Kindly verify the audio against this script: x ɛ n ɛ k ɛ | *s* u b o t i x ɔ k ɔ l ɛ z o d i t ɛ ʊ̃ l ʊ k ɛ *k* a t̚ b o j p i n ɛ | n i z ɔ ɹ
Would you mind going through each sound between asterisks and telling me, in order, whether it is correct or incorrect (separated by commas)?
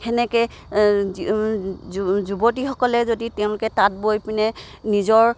incorrect, incorrect